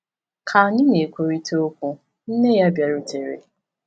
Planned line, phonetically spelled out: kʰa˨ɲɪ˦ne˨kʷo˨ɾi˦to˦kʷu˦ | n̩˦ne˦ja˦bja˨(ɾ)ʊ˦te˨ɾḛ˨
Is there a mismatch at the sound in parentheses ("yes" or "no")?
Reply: no